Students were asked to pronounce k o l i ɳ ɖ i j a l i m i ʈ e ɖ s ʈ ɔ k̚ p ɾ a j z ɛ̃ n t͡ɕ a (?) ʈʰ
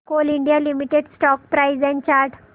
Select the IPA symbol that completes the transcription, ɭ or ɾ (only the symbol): ɾ